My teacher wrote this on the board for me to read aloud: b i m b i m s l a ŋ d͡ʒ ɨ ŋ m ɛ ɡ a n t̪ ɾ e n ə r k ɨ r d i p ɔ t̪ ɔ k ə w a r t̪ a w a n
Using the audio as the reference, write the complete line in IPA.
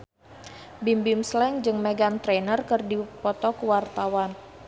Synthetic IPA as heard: b i m b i m s l ɛ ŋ d͡ʒ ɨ ŋ m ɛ ɡ a n t̪ ɾ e n ə r k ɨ r d i p ɔ t̪ ɔ k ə w a r t̪ a w a n